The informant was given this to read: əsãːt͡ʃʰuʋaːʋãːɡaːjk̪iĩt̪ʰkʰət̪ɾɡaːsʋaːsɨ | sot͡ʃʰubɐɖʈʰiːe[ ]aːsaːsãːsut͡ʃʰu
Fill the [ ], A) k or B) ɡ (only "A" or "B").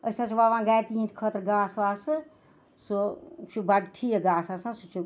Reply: B